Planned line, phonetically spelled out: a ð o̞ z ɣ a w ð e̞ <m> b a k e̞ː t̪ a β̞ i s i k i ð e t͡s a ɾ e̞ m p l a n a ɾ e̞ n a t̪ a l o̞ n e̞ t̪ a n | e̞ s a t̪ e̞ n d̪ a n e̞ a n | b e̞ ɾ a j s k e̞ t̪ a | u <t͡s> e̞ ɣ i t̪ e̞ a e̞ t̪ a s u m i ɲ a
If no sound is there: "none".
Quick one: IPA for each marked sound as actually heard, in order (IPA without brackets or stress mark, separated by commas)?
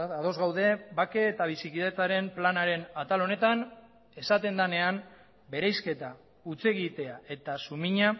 none, t͡s